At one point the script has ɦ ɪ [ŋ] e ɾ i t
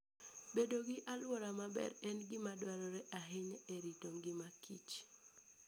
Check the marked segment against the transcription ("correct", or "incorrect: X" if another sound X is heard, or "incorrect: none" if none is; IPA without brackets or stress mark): incorrect: ɲ